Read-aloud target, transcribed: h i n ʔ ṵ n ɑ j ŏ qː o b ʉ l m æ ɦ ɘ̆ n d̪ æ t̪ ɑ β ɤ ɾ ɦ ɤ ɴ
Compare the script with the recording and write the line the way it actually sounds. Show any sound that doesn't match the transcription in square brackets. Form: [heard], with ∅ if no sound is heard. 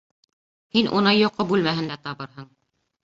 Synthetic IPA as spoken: h i n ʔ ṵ n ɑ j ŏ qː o b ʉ l m æ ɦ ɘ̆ n d̪ æ t̪ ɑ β ɤ ɾ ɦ ɤ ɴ